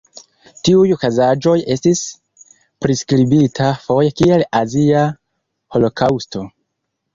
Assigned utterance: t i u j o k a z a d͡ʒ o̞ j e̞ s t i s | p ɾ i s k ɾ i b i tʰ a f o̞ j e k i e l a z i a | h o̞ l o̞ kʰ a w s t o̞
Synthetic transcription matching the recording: t i u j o k a z a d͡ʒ o̞ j e̞ s t i s | p ɾ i s k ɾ i b i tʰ a f o̞ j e k i e l a z i a | h o̞ l o̞ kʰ a w s t o̞